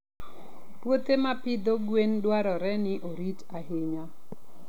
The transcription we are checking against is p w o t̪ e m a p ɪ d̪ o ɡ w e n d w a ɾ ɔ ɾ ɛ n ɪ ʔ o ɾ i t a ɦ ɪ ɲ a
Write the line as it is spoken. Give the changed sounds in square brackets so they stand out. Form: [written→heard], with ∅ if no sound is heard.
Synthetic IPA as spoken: p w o t̪ e m a p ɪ d̪ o ɡ w e n d w a ɾ ɔ ɾ ɛ n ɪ ʔ o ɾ i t a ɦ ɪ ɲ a